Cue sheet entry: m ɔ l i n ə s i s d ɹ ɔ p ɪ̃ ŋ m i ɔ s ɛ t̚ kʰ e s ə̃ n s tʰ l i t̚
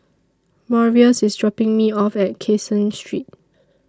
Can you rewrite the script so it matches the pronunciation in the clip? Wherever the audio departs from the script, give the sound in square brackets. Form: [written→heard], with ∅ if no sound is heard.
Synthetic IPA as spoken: m ɔ [l→ɹ] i [n→∅] ə s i s d ɹ ɔ p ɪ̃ ŋ m i ɔ [s→f] ɛ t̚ kʰ e s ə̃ n s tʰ [l→ɹ] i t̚